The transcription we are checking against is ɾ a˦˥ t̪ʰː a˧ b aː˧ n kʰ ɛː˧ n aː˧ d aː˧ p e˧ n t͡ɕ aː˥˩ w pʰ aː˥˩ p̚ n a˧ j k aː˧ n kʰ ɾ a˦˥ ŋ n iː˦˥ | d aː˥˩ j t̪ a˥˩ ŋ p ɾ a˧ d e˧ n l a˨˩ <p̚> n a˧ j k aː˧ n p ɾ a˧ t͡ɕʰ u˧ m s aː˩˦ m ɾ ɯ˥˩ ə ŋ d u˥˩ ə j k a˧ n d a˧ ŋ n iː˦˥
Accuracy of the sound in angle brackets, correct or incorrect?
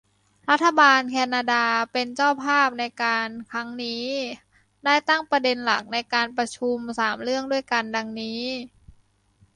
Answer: incorrect